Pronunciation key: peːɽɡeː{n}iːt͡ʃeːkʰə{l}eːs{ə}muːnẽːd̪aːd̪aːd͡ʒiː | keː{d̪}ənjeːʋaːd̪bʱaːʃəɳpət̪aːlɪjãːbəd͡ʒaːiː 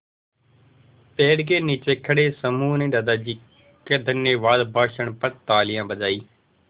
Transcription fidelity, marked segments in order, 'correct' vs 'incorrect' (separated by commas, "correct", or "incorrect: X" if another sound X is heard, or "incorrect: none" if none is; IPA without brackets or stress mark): correct, incorrect: ɽ, correct, correct